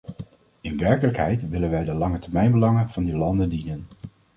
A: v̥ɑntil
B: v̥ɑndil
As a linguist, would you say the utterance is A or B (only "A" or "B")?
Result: B